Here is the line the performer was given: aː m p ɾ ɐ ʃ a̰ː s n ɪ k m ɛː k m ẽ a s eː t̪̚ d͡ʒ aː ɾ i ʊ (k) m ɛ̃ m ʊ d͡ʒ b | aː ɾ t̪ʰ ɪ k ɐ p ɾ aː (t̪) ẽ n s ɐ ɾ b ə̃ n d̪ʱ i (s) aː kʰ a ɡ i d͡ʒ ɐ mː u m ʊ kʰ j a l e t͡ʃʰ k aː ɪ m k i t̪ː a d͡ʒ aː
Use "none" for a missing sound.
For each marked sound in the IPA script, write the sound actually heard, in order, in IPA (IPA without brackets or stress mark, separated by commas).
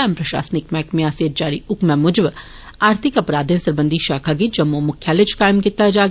k, d̪, ʃ